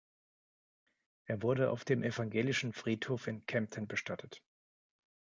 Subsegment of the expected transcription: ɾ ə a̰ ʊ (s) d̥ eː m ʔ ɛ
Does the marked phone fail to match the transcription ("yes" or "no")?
yes